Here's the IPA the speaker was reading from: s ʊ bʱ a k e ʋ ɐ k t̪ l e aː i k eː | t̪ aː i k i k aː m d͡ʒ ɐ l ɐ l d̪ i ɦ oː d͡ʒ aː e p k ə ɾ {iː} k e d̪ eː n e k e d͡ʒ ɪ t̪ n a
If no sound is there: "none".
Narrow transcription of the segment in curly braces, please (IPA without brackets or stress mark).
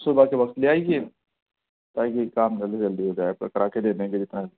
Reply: aː